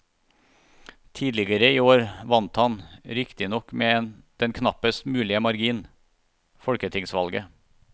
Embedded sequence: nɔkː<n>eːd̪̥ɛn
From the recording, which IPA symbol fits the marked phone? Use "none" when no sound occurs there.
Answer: m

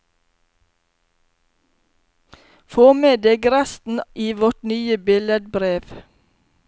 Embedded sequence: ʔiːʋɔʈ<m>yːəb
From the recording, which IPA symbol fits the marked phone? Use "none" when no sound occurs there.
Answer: n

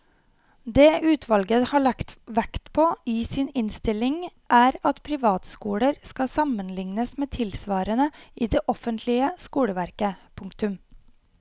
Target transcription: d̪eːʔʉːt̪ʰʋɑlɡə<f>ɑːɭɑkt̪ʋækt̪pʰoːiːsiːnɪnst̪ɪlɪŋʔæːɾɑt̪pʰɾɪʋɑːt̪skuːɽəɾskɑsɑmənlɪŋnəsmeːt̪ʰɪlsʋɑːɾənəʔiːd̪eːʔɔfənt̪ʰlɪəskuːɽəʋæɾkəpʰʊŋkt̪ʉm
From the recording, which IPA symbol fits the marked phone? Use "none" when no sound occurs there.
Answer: h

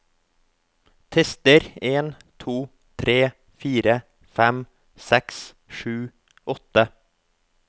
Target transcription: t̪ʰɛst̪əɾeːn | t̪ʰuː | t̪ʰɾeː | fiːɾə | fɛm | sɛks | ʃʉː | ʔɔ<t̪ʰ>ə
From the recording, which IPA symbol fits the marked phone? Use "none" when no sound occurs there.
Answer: t̪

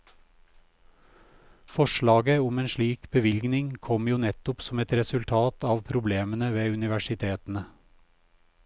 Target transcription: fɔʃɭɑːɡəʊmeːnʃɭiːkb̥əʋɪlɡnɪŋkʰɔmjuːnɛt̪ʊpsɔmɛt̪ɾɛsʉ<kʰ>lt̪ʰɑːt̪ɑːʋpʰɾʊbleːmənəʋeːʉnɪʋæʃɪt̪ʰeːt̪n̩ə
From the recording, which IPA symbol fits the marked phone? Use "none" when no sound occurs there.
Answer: none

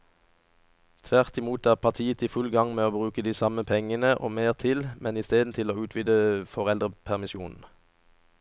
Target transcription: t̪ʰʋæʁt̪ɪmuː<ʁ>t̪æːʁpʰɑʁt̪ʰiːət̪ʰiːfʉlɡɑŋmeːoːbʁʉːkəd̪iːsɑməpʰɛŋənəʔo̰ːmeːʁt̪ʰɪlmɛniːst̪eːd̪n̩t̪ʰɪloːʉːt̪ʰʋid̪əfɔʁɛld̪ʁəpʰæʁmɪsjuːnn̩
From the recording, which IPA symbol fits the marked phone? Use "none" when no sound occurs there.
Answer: none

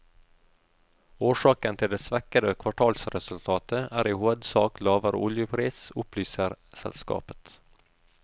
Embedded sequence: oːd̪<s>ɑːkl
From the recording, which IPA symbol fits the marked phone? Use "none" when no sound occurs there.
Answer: s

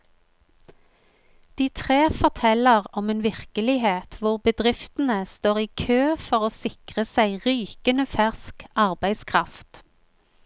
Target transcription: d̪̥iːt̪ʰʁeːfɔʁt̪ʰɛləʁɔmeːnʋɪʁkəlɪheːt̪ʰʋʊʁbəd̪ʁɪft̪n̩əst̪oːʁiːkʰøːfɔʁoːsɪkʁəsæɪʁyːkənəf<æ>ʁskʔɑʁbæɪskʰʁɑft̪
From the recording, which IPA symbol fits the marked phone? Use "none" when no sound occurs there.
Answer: æ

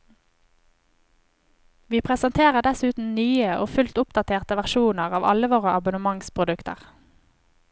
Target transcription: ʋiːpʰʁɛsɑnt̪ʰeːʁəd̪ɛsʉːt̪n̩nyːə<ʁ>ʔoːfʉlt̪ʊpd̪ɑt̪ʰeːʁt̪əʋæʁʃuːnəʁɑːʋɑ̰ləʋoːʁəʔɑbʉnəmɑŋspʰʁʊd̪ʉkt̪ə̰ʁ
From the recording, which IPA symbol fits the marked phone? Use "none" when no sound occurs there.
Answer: none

